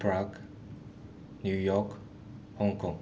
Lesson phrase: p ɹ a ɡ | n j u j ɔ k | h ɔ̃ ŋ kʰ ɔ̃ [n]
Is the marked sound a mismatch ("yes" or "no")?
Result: yes